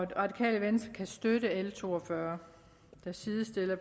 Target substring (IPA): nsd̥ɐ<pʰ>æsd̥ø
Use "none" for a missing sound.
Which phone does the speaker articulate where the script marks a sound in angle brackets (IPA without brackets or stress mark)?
kʰ